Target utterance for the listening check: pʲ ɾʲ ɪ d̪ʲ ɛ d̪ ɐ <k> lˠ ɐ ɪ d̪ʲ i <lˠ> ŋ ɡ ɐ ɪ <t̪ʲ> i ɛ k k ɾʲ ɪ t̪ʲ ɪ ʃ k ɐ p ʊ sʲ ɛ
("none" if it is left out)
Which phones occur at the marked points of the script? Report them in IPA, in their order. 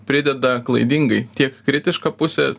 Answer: k, none, t̪ʲ

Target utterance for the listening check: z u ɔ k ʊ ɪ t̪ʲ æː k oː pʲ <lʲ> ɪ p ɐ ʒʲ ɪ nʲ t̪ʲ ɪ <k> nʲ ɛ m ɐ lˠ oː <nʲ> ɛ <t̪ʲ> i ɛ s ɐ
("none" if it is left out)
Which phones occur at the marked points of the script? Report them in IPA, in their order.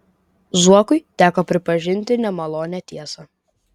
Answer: ɾʲ, none, nʲ, t̪ʲ

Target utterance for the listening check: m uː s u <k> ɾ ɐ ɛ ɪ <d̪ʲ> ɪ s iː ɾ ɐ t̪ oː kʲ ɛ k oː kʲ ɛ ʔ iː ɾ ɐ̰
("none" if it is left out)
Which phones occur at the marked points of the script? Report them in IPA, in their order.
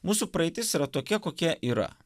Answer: p, t̪ʲ

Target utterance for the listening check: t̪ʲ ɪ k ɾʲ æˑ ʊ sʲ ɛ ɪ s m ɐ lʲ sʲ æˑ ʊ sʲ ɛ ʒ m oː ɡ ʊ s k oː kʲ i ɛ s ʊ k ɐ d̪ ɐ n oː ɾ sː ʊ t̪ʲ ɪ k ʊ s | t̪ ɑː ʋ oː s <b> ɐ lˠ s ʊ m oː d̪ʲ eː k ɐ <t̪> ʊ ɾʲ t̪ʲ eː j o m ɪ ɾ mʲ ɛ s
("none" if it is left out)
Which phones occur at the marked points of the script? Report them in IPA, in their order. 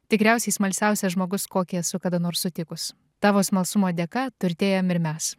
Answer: m, t̪

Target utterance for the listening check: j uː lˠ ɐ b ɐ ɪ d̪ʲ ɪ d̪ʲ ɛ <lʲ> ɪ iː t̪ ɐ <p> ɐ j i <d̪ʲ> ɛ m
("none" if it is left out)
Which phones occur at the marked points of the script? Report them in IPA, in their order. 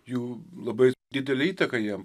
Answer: lʲ, k, none

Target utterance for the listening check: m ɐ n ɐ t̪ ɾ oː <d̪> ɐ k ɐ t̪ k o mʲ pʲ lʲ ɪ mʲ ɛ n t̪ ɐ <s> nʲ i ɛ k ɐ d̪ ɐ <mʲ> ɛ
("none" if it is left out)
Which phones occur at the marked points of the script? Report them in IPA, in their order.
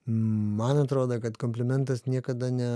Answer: d̪, s, nʲ

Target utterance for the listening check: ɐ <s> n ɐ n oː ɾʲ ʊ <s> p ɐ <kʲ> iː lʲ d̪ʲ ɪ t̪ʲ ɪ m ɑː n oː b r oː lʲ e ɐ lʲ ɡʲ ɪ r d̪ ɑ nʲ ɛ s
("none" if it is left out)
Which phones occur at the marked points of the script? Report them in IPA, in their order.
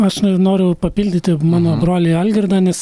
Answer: ʃ, none, pʲ

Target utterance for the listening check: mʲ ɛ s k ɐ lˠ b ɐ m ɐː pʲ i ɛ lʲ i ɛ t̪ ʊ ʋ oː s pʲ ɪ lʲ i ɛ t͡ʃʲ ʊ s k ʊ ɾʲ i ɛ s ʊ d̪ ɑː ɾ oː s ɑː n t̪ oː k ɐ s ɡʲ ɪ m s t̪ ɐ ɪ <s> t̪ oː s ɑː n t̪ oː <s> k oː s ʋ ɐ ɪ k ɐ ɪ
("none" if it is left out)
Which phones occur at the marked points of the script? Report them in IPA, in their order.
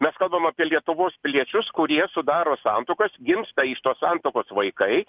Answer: ʃ, none

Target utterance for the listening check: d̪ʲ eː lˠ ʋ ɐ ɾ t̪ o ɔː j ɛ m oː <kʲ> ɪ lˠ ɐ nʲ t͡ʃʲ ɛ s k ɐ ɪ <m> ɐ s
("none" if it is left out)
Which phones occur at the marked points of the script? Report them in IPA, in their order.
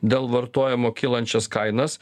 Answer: kʲ, n

